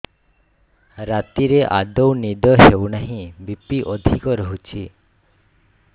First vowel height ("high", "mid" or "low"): low